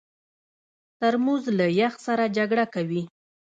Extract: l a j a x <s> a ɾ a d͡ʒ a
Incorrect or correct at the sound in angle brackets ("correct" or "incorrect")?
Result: correct